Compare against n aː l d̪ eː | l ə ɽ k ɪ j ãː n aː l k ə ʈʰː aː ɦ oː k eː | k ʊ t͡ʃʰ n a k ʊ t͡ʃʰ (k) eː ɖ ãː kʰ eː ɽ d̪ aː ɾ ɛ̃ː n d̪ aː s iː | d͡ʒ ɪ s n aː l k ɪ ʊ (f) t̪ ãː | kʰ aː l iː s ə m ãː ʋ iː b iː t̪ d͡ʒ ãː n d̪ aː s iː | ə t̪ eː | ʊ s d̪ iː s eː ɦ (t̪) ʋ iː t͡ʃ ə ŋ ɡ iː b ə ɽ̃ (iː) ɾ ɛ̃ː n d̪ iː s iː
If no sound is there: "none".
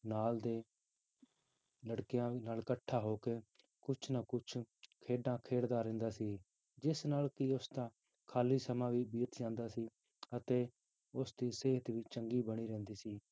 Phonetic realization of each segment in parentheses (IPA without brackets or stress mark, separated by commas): kʰ, s, t̪, iː